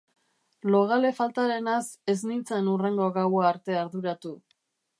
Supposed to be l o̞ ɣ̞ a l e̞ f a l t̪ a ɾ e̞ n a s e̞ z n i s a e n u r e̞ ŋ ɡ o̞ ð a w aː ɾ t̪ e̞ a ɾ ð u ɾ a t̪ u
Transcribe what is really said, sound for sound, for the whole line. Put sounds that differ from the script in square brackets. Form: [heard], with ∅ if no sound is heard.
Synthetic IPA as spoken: l o̞ ɣ̞ a l e̞ f a l t̪ a ɾ e̞ n a s e̞ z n i [t͡s] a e n u r e̞ ŋ ɡ o̞ [ɣ] a w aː ɾ t̪ e̞ a ɾ ð u ɾ a t̪ u